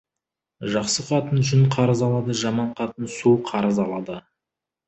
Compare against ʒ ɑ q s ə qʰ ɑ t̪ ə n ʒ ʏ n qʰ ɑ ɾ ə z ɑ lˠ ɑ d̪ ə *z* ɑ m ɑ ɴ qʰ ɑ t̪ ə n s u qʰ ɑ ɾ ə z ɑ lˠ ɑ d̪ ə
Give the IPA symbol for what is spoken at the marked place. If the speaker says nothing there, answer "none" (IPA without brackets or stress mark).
ʒ